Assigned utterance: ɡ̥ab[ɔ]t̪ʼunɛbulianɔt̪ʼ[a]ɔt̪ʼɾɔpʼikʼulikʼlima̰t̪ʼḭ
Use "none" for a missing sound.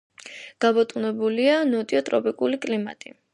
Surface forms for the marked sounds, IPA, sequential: ɔ, i

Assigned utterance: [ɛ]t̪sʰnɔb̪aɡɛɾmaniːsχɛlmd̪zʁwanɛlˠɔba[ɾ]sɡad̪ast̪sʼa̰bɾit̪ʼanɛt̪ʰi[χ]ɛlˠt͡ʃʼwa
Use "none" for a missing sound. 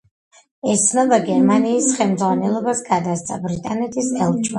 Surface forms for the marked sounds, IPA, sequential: ɛ, none, s

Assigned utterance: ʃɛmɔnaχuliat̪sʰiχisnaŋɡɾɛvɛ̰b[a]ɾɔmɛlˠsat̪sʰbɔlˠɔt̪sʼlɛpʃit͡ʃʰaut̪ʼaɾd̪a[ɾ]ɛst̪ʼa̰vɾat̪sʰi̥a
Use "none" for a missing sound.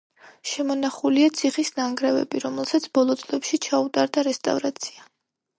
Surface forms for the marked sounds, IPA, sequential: i, ɾ

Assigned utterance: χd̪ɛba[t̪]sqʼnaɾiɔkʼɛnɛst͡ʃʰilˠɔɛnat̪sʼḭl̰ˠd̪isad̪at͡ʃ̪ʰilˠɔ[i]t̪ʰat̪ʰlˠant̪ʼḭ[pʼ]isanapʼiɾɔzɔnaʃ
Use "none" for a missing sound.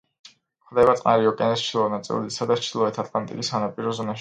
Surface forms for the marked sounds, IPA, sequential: t̪, ɛ, kʼ

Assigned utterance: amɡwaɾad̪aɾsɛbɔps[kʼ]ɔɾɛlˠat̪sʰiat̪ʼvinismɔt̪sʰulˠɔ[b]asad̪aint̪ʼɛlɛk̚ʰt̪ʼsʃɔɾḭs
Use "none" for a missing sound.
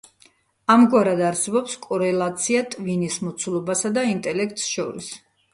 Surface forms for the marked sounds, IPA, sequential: kʼ, b

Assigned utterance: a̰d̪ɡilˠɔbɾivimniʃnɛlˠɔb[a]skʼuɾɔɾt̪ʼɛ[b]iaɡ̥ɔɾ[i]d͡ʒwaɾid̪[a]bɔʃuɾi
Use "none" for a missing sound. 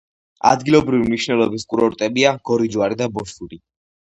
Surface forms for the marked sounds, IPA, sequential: i, b, i, a

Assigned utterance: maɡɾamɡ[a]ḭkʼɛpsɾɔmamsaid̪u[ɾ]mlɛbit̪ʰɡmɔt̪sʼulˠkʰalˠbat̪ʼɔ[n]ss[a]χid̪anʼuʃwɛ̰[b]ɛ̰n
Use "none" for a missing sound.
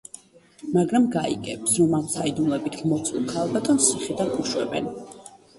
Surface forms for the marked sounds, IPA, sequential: a, none, n, i, b

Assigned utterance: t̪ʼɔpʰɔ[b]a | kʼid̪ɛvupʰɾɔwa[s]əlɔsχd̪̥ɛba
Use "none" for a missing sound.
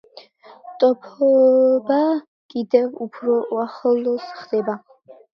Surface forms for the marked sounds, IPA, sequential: b, χ

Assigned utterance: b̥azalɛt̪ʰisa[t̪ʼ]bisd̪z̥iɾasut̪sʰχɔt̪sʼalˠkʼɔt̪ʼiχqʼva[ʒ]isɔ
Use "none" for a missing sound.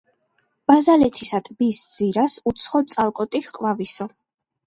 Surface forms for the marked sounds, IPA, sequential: t̪ʼ, v

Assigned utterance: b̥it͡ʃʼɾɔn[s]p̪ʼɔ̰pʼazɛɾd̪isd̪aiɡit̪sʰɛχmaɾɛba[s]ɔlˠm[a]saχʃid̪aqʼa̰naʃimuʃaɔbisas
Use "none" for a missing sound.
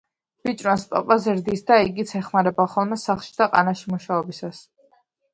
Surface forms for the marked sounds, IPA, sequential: s, χ, ɛ

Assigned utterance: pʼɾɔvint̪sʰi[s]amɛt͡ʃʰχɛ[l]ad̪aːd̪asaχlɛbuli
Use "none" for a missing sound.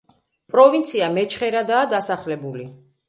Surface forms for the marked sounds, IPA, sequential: none, ɾ

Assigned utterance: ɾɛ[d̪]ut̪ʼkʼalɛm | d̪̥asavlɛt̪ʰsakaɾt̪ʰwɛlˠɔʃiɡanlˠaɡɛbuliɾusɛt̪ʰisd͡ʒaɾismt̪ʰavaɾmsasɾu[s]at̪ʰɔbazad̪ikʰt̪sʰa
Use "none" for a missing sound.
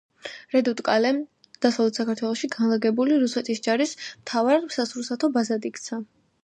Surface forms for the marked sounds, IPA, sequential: d̪, s

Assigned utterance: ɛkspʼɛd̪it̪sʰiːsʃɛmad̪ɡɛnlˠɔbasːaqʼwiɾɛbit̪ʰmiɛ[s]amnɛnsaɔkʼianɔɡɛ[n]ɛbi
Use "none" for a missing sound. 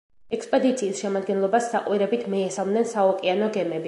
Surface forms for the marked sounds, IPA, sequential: s, m

